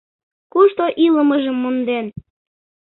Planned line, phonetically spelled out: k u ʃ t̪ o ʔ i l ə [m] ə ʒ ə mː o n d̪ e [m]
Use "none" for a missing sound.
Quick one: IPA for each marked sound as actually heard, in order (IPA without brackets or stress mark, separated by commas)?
m, n